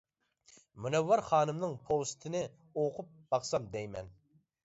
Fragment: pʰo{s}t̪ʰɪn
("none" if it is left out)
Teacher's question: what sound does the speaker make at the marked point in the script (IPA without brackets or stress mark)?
s